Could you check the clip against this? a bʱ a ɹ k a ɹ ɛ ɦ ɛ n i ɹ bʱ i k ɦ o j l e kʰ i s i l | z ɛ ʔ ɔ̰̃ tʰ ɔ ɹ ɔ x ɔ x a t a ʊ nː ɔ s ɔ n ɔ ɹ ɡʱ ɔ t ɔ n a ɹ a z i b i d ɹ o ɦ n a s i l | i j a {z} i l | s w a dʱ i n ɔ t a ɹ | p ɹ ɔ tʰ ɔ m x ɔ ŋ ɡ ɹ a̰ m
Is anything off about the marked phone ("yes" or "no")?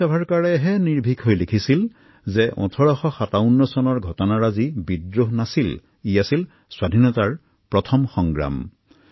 yes